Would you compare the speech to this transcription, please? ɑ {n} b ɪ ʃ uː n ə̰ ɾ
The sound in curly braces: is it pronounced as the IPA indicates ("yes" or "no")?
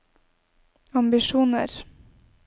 no